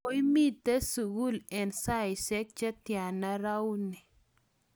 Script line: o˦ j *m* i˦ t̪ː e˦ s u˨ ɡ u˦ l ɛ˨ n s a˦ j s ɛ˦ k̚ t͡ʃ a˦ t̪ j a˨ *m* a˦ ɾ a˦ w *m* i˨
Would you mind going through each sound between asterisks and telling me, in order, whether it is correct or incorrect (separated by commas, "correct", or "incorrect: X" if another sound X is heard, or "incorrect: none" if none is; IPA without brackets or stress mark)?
correct, incorrect: n, incorrect: n